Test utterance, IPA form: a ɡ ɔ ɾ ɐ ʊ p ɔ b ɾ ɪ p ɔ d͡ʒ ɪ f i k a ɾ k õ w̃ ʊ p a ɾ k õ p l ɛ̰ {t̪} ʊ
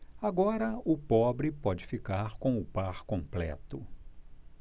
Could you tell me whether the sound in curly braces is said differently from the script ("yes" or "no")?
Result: no